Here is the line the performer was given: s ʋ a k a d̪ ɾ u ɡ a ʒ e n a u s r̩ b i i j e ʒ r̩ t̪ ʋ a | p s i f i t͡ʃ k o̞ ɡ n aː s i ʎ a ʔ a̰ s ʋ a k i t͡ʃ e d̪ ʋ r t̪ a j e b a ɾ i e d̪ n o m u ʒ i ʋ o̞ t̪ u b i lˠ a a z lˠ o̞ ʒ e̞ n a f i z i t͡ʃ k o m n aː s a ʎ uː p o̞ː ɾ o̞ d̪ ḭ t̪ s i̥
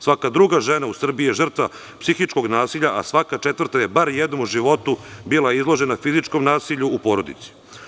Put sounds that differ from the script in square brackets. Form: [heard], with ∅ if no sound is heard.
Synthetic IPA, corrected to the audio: s ʋ a k a d̪ ɾ u ɡ a ʒ e n a u s r̩ b i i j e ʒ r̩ t̪ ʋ a | p s i [x] i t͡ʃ k o̞ ɡ n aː s i ʎ a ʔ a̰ s ʋ a k [a] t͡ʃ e [t̪] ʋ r t̪ a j e b a ɾ [j] e d̪ n o m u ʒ i ʋ o̞ t̪ u b i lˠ a [i] z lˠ o̞ ʒ e̞ n a f i z i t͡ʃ k o m n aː s [i] ʎ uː p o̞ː ɾ o̞ d̪ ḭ t̪ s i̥